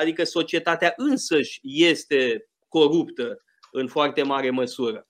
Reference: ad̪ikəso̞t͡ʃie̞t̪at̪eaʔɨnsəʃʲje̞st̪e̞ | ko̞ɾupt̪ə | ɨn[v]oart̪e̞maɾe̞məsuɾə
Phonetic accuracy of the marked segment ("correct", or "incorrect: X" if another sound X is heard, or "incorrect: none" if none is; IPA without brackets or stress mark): incorrect: f